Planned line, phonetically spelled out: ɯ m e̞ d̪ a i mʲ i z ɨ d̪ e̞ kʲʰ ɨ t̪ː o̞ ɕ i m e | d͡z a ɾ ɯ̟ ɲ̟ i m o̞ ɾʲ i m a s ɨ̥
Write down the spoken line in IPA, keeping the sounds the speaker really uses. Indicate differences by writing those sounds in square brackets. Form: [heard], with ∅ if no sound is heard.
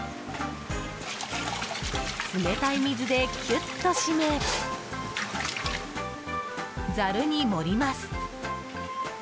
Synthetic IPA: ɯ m e̞ [t̪] a i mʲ i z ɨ d̪ e̞ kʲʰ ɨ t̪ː o̞ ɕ i m e | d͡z a ɾ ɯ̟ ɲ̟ i m o̞ ɾʲ i m a s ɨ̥